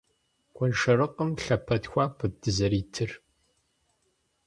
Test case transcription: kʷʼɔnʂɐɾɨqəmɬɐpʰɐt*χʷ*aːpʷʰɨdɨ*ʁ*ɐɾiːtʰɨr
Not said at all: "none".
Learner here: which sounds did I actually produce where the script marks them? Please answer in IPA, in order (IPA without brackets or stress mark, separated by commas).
xʷ, z